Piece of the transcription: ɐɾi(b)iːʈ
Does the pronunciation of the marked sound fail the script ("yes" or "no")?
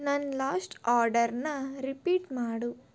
yes